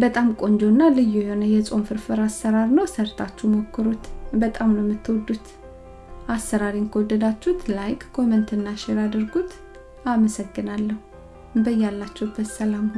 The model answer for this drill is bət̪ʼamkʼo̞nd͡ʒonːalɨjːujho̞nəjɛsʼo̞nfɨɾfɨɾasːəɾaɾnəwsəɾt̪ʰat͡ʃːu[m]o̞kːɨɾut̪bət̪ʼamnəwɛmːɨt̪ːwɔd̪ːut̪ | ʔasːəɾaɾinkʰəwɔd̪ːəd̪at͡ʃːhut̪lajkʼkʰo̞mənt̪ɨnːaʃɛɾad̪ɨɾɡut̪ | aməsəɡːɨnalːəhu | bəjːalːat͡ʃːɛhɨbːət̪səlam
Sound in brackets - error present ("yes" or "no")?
no